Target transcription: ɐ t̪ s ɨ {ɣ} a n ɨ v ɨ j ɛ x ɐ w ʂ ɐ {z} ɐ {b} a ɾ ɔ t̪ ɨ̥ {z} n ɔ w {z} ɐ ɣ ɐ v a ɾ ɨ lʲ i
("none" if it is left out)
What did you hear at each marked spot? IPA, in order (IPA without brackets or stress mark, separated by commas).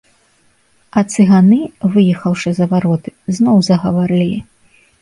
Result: ɣ, z, v, z, z